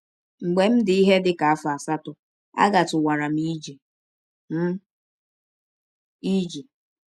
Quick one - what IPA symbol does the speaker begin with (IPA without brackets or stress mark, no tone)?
ŋ͡m̩